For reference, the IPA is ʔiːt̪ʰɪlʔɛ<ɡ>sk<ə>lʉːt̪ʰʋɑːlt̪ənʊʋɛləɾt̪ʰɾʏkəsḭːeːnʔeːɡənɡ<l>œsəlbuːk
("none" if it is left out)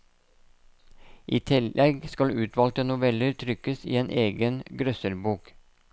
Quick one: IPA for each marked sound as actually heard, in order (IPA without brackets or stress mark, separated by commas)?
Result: ɡ, ɑ, ɾ